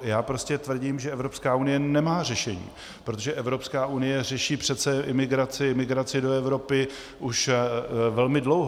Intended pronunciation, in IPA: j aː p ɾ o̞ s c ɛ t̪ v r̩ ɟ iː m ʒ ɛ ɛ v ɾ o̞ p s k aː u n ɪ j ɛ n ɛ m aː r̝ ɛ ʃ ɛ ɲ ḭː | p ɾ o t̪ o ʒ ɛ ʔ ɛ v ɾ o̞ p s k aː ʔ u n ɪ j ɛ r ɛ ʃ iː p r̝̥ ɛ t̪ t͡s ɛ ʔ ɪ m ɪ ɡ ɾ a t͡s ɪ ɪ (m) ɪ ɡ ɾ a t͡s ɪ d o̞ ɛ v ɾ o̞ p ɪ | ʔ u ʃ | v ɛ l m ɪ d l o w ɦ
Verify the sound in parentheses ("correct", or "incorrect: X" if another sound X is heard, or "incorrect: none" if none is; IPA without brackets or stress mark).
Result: correct